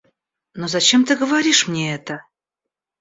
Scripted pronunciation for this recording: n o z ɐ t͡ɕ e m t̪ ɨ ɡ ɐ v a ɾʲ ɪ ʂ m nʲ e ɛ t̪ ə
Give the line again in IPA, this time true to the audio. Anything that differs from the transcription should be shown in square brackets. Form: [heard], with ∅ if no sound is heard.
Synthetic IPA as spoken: n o z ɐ t͡ɕ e m t̪ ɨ ɡ [ə] v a ɾʲ [i] ʂ m nʲ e ɛ t̪ ə